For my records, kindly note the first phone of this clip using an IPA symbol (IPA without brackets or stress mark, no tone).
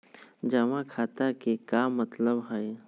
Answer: d͡ʒ